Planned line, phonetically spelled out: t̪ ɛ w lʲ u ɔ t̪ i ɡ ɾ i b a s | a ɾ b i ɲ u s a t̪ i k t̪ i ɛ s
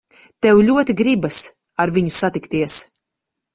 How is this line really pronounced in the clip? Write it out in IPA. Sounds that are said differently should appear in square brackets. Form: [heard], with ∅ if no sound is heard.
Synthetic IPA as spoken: t̪ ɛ w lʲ u ɔ t̪ i ɡ ɾ i b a s | a ɾ [v] i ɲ u s a t̪ i k t̪ i ɛ s